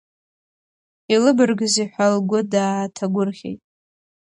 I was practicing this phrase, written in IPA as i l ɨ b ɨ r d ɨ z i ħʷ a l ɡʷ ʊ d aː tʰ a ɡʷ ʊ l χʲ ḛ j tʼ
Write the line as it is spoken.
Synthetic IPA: i l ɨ b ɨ r ɡ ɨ z i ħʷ a l ɡʷ ʊ d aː tʰ a ɡʷ ʊ r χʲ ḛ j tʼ